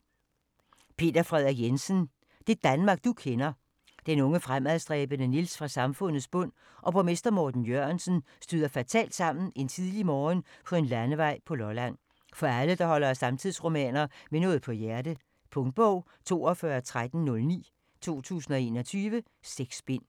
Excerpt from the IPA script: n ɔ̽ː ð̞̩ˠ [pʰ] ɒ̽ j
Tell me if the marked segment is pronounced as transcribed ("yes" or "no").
yes